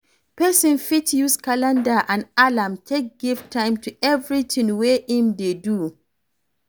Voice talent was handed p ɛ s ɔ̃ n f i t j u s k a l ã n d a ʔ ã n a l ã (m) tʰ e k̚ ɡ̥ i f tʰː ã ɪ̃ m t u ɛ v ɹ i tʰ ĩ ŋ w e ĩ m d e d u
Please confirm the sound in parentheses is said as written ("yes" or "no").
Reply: yes